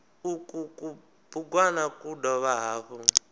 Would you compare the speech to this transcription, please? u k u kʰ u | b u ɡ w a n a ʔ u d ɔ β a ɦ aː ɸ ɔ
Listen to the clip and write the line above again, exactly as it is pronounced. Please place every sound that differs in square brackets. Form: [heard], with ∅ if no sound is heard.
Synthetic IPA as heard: u k u [k] u | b u ɡ w a n a [k] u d ɔ β a ɦ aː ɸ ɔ